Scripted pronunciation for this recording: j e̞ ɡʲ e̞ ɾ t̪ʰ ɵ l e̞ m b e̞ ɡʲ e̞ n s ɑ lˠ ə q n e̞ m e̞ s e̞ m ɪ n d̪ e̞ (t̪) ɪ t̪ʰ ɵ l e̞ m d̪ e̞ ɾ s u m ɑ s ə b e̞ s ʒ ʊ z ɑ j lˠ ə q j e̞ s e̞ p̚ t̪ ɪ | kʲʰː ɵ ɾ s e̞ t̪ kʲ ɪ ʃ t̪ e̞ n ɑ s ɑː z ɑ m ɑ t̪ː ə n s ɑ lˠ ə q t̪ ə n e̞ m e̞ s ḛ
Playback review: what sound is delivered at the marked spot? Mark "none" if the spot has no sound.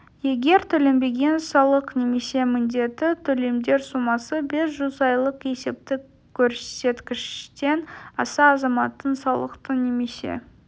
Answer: t̪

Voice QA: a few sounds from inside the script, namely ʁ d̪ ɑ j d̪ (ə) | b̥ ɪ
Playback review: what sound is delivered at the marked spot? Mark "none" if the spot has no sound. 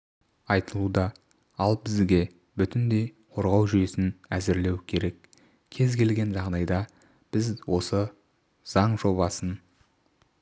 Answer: ɑ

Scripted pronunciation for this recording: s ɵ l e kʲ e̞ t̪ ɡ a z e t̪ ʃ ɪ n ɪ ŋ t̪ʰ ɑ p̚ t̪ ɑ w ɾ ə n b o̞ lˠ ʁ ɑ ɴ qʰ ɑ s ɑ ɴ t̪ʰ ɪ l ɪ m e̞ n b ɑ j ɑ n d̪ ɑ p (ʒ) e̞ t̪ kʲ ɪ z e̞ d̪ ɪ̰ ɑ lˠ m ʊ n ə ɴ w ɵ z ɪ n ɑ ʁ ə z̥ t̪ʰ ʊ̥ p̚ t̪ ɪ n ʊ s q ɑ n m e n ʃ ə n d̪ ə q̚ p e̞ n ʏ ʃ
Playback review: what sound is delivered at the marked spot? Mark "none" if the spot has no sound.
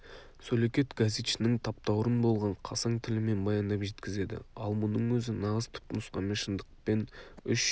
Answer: ʒ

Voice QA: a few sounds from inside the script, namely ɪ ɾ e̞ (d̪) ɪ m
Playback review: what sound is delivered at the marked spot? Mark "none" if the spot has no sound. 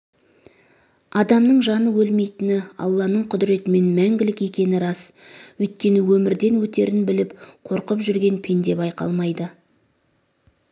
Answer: t̪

